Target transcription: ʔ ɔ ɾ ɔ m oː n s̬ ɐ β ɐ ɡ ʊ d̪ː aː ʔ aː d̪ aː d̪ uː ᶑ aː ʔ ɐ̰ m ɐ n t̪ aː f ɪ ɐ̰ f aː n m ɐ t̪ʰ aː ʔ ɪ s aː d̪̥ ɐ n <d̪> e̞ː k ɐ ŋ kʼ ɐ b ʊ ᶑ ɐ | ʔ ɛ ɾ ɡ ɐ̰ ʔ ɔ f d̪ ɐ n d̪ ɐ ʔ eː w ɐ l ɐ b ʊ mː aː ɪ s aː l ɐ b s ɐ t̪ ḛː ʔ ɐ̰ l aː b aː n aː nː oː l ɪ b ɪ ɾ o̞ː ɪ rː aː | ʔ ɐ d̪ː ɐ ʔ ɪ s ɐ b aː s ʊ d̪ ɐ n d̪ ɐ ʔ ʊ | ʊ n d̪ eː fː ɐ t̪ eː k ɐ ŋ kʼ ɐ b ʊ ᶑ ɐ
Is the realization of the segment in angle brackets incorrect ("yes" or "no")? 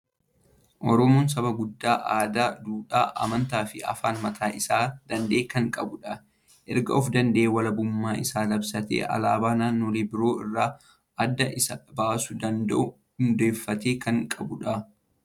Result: no